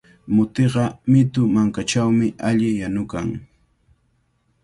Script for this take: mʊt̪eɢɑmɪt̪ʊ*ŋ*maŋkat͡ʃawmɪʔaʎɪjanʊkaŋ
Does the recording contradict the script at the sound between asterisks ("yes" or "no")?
yes